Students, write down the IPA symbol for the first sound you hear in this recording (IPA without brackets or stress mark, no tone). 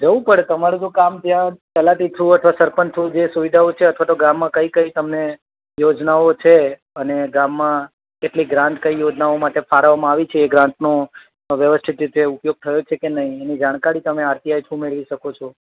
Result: d͡ʒ